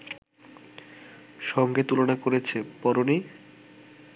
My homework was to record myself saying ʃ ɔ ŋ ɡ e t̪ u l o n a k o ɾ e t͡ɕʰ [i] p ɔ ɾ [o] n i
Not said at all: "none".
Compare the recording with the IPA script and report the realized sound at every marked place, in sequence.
e, o

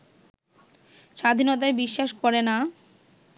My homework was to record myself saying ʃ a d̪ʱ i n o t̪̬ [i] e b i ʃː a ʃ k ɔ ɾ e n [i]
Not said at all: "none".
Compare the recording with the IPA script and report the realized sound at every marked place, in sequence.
a, a

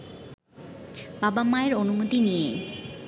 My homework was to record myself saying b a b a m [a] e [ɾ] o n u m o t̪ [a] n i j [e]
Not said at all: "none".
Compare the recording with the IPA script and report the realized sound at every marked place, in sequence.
a, ɾ, i, e

